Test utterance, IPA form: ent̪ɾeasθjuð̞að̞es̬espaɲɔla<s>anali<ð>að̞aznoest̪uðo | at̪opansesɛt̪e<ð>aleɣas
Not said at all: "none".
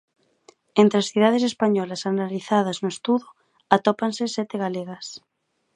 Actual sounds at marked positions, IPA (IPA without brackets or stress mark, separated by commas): s, θ, ɣ